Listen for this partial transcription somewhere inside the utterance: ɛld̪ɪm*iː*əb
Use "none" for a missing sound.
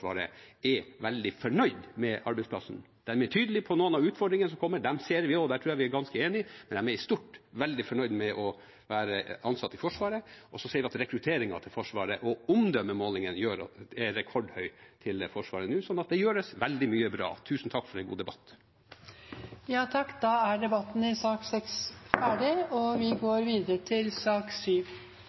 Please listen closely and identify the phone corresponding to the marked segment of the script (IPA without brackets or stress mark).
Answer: yː